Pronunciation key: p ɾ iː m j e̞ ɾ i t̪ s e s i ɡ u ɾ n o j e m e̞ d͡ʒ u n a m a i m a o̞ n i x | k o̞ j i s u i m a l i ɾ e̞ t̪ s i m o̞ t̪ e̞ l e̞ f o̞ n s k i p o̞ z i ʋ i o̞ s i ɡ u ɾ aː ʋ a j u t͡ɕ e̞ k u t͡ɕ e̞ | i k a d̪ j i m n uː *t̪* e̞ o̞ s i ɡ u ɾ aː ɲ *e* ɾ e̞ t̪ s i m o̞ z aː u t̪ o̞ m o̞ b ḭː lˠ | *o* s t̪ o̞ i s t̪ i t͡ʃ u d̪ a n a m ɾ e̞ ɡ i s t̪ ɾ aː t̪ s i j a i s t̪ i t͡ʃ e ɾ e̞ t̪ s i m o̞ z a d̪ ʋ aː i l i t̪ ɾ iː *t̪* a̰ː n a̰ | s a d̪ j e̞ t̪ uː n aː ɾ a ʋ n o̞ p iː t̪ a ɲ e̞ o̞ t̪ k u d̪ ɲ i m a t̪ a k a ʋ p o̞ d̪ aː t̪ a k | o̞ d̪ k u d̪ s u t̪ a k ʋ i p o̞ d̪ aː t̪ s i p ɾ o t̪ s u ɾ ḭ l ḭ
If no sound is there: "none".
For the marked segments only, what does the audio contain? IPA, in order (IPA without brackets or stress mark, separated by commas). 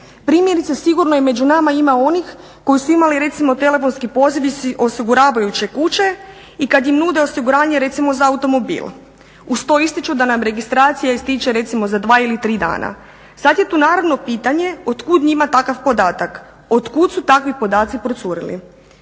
d̪, e, u, d̪